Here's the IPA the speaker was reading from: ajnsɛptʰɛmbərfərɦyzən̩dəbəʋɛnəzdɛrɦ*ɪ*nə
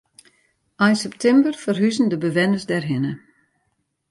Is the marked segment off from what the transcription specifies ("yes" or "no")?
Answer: no